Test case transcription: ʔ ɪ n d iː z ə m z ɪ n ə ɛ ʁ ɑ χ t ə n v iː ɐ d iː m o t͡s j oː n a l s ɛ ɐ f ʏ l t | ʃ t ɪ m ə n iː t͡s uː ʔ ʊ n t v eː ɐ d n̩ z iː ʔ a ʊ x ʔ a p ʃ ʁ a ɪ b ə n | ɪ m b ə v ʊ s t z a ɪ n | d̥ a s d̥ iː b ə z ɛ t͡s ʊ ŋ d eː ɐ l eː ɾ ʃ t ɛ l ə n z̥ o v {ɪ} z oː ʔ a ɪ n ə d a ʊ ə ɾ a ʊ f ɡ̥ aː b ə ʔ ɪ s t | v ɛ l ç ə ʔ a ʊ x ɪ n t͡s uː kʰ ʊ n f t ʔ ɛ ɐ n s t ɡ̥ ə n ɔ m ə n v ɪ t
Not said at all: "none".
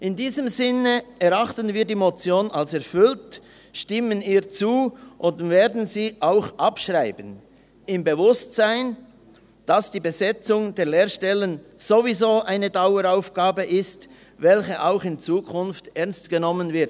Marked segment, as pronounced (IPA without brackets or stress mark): i